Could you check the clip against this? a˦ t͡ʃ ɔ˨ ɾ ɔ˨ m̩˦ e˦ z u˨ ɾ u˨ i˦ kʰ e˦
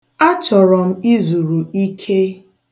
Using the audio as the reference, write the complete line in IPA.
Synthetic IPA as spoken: a˦ t͡ʃ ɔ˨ ɾ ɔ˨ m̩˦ i˦ z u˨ ɾ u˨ i˦ kʰ e˦